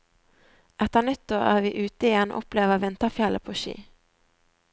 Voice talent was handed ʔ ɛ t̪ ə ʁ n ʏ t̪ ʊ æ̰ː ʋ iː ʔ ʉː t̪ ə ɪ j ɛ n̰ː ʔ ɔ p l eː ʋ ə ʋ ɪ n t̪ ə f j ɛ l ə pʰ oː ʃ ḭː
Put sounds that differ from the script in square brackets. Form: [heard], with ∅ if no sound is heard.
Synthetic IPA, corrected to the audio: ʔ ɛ t̪ ə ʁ n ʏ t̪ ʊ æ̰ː ʋ iː ʔ ʉː t̪ ə ɪ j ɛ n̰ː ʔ ɔ p l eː ʋ ə ʋ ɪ n t̪ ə f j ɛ l ə pʰ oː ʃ ḭː